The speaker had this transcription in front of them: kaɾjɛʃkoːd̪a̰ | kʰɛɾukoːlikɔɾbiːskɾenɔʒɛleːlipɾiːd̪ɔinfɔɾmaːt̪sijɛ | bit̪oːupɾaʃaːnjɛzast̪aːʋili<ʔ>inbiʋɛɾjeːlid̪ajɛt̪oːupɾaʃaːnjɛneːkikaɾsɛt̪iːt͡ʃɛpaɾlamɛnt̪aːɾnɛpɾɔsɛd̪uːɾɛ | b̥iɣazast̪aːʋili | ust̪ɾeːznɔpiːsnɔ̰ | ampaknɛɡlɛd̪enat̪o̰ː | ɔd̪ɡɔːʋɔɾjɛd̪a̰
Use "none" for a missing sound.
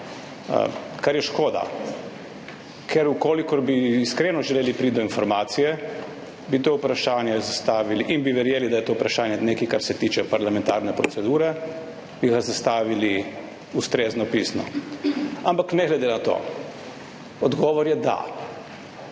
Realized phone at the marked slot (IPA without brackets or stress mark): ʔ